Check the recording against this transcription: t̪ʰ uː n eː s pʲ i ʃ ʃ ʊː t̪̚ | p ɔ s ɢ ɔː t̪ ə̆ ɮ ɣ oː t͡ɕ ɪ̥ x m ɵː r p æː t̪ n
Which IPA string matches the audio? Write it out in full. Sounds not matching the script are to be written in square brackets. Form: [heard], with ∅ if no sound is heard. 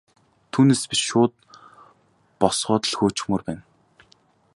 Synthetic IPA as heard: t̪ʰ uː n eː s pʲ i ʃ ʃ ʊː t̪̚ | p ɔ s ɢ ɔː t̪ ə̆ ɮ [x] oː t͡ɕ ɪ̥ x m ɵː r p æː [∅] n